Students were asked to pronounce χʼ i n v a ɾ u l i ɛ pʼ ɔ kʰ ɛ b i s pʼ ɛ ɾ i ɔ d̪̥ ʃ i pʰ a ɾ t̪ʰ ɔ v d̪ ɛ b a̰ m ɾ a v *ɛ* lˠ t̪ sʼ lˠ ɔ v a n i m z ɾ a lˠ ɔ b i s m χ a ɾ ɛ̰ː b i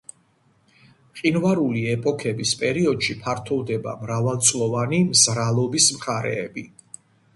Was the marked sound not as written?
yes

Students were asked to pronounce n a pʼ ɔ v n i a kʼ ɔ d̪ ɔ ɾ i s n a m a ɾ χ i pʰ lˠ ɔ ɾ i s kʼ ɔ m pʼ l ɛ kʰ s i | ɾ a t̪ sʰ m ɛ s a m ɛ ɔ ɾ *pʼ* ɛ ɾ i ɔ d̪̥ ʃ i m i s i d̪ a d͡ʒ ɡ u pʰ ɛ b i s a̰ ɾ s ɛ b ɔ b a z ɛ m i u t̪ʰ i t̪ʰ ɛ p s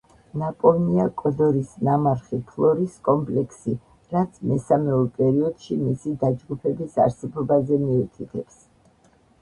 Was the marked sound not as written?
no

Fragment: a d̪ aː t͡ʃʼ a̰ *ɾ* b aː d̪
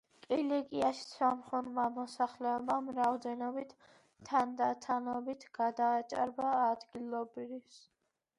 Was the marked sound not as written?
no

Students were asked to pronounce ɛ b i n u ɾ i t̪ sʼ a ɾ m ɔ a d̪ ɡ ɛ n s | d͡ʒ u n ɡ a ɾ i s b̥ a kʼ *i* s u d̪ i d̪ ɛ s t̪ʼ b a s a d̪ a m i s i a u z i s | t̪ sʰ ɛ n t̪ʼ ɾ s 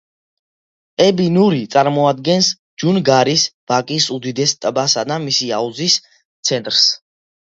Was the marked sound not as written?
no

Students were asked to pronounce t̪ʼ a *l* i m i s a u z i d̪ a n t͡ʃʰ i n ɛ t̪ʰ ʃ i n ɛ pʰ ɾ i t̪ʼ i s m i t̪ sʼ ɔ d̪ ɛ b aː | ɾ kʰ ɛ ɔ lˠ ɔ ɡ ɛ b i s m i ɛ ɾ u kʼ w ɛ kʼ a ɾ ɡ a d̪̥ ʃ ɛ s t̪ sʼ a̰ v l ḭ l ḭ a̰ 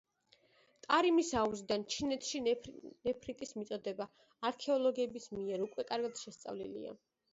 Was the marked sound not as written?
yes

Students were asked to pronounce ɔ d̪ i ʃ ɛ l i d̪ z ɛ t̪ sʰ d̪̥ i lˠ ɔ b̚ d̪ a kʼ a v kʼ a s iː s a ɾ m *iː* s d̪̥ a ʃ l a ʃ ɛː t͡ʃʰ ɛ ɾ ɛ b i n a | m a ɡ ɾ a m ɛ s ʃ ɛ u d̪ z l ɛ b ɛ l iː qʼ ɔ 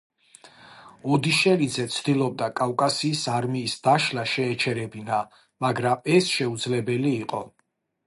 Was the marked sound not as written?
no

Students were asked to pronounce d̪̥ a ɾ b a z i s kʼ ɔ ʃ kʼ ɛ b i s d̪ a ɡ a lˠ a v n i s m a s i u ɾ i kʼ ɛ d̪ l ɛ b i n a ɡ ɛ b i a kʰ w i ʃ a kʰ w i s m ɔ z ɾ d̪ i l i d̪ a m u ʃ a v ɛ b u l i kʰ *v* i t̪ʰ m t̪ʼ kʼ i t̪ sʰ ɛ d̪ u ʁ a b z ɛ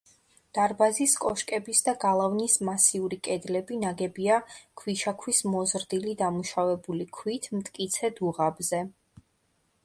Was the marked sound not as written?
yes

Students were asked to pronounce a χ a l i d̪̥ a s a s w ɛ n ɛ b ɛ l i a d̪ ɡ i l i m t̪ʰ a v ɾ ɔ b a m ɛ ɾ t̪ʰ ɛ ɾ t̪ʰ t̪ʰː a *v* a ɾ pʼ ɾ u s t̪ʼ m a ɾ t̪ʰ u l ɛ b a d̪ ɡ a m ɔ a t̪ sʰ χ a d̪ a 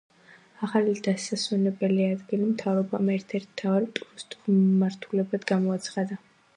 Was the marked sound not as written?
no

